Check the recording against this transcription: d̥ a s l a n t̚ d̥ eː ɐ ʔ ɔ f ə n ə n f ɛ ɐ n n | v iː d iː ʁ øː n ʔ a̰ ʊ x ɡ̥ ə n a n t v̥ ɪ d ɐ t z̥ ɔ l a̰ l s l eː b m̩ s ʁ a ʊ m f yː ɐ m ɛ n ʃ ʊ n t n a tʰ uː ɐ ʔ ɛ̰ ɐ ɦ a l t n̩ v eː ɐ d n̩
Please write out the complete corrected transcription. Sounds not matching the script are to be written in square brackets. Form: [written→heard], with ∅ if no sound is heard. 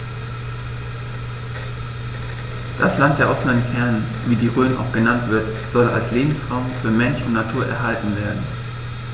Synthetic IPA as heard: d̥ a s l a n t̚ d̥ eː ɐ ʔ ɔ f ə n ə n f ɛ ɐ n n | v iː d iː ʁ øː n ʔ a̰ ʊ x ɡ̥ ə n a n t v̥ ɪ [d→∅] ɐ t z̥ ɔ l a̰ l s l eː b m̩ s ʁ a ʊ m f yː ɐ m ɛ n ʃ ʊ n t n a tʰ uː ɐ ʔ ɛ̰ ɐ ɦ a l t n̩ v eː ɐ d n̩